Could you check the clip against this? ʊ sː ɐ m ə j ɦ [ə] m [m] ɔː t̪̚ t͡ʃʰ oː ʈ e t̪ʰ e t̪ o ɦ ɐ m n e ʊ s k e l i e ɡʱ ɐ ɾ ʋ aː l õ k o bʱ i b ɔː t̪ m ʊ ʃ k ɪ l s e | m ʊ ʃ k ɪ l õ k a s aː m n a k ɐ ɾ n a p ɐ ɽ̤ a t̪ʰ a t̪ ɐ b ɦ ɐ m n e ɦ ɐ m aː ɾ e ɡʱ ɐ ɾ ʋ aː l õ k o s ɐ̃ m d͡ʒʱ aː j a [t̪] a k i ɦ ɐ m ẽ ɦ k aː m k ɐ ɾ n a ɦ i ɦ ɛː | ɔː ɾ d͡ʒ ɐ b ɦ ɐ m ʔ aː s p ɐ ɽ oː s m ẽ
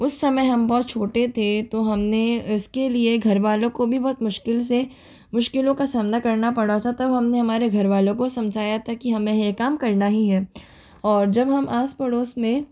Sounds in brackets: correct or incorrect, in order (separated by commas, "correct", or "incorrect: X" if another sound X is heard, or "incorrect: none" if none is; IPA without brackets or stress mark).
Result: incorrect: ɐ, incorrect: b, incorrect: t̪ʰ